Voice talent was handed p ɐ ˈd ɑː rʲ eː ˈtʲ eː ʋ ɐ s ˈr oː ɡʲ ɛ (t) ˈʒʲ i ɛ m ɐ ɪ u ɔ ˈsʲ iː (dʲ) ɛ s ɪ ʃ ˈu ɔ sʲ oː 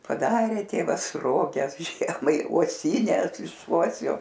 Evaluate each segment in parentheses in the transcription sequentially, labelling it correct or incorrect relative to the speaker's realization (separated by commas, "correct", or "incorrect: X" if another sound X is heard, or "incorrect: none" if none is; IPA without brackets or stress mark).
incorrect: s, incorrect: nʲ